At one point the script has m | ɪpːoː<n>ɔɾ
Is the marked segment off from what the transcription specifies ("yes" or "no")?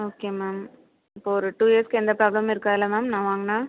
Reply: yes